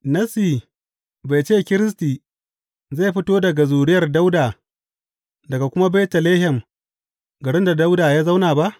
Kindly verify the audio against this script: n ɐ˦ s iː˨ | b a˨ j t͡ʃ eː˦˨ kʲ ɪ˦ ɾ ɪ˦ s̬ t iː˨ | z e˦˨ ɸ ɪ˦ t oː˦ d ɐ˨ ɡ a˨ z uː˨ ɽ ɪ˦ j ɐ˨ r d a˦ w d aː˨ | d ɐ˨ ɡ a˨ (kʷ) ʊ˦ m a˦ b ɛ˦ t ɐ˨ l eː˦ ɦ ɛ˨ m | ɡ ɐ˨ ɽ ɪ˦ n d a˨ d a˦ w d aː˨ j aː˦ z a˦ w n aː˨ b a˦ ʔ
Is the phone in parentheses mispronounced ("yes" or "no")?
no